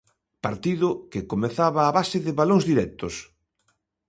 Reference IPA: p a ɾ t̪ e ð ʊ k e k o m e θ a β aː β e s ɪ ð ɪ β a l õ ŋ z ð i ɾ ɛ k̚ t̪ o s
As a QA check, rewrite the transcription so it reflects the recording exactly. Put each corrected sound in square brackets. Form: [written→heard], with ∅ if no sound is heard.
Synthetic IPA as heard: p a ɾ t̪ [e→i] ð ʊ k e k o m e θ a β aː β [e→a] s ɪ ð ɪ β a l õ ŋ z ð i ɾ ɛ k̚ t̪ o s